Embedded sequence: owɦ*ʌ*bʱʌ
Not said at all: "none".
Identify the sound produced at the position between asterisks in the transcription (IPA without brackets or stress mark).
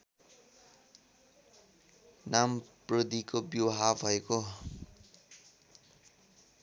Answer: a